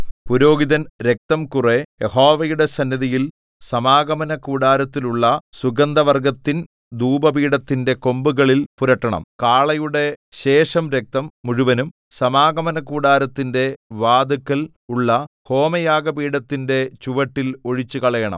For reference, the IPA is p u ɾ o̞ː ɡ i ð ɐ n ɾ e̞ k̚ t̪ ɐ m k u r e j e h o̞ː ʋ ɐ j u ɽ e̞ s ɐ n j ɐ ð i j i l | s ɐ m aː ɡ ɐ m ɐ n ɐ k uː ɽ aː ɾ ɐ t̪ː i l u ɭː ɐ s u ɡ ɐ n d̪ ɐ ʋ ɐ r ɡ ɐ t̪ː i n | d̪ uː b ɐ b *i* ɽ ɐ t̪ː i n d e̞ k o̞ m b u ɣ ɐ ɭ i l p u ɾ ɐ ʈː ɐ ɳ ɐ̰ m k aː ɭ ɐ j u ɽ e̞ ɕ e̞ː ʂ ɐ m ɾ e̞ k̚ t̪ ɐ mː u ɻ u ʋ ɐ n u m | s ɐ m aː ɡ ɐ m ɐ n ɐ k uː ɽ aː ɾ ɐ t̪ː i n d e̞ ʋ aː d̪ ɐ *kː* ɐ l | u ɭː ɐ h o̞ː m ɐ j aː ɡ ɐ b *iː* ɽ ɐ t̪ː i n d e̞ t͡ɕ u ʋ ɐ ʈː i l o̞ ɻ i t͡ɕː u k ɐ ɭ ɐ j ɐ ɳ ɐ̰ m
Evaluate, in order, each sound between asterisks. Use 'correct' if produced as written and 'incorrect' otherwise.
incorrect: iː, correct, correct

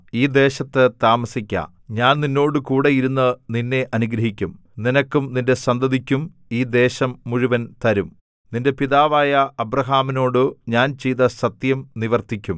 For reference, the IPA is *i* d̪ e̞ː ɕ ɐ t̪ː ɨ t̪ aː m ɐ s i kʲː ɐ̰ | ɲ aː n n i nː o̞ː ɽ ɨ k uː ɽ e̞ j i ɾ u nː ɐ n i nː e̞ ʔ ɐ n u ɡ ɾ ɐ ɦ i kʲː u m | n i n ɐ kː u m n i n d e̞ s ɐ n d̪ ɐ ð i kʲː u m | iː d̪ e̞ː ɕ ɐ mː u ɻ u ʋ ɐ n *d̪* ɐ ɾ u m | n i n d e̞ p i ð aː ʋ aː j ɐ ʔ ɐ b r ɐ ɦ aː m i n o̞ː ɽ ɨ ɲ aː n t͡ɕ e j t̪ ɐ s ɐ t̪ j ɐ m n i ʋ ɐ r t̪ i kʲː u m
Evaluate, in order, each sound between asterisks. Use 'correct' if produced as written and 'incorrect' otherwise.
incorrect: iː, incorrect: t̪

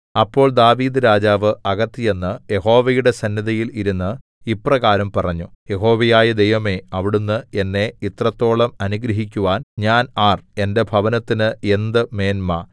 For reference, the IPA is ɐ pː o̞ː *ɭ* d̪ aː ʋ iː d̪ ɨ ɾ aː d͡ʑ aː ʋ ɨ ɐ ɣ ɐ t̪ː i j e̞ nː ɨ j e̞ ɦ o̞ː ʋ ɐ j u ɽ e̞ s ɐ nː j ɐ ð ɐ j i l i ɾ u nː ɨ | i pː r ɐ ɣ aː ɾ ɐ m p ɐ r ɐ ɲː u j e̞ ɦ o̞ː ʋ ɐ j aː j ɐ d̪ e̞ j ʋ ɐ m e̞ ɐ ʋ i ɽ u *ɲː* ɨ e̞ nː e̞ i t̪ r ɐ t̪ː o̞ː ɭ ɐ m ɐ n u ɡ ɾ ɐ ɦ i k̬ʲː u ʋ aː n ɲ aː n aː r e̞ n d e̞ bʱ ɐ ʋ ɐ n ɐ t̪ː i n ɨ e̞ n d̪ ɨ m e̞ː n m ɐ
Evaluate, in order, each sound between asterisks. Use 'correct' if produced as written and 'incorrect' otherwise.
correct, incorrect: nː

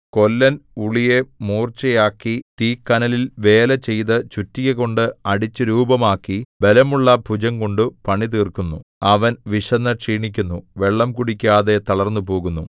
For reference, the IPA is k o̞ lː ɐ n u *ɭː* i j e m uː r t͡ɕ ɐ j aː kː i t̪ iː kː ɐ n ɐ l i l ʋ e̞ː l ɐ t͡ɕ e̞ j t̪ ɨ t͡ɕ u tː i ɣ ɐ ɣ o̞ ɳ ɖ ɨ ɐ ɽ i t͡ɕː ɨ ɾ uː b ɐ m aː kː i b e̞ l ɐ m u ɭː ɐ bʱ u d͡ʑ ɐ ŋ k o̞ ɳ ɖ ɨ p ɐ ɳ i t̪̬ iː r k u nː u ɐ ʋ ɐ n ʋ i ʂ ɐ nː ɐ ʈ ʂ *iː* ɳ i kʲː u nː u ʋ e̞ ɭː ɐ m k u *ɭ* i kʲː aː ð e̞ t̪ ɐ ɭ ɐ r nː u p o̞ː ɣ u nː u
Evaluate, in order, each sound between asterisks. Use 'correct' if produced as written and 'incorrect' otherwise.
incorrect: ɭ, correct, incorrect: ɽ

